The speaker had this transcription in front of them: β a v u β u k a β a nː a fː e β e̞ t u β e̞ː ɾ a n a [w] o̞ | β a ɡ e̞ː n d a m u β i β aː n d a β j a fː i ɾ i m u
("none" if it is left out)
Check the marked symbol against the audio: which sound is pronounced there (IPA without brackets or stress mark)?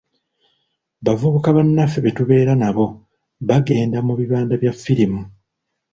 β